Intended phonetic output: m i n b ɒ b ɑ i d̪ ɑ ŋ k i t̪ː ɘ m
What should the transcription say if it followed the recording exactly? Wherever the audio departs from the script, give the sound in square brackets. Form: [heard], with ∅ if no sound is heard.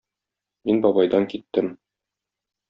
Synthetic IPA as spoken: m i n b ɒ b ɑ [j] d̪ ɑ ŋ k i t̪ː ɘ m